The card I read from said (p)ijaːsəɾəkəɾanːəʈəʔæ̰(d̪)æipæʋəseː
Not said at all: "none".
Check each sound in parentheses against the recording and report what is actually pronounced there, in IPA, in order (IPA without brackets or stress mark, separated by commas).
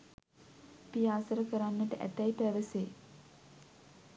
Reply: p, t̪